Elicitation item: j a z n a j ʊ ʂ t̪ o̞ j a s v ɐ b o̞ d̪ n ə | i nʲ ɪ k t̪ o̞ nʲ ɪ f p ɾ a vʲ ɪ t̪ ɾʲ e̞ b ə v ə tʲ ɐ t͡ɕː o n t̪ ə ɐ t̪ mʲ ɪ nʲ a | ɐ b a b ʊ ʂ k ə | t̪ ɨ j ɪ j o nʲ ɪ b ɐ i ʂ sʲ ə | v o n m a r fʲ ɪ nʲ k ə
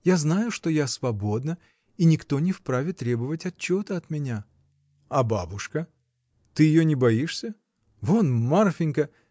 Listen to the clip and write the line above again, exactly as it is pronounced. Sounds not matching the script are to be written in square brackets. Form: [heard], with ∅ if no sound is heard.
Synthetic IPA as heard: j a z n a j ʊ ʂ t̪ o̞ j a s v ɐ b o̞ d̪ n ə | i nʲ ɪ k t̪ o̞ nʲ ɪ f p ɾ a vʲ ɪ t̪ ɾʲ e̞ b ə v ə tʲ ɐ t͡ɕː o [∅] t̪ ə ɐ t̪ mʲ ɪ nʲ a | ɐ b a b ʊ ʂ k ə | t̪ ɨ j ɪ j o nʲ ɪ b ɐ i ʂ sʲ ə | v o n m a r fʲ ɪ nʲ k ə